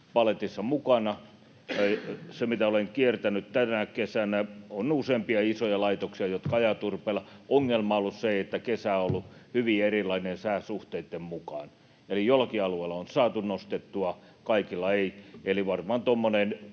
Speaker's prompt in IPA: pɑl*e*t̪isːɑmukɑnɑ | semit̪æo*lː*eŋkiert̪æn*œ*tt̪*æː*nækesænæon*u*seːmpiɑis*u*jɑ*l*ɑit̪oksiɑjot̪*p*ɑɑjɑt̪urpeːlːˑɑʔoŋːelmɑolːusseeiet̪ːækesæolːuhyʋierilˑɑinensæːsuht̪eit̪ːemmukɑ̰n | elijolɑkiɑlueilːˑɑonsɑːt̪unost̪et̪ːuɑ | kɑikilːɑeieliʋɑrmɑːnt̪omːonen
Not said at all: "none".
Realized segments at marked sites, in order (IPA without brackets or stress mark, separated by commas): e, l, y, æ, u, o, l, k